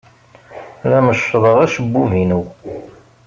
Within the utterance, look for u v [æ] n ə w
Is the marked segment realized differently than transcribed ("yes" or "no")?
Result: yes